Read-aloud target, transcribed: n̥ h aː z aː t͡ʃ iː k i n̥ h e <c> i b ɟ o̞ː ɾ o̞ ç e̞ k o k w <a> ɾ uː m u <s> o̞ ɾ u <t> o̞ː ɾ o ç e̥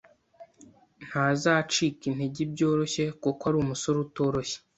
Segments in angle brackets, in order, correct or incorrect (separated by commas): incorrect, correct, correct, correct